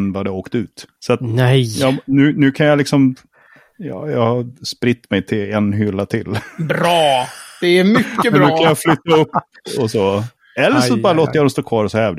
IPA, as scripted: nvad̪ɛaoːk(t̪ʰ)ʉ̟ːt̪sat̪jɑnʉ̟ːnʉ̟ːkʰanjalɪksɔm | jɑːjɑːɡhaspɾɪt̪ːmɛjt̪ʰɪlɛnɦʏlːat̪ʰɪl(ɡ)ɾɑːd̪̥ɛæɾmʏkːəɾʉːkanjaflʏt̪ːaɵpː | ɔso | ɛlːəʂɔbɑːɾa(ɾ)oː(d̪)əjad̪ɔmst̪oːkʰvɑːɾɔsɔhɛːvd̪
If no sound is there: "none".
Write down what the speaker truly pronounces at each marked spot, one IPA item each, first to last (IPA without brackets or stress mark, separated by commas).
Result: t̪, b, l, t̪